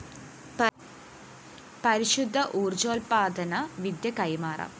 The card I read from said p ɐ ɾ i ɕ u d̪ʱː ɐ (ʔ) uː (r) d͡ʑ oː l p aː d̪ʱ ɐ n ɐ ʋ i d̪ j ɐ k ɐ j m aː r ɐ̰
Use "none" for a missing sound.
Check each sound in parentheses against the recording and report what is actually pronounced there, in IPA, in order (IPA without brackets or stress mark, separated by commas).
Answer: ʔ, r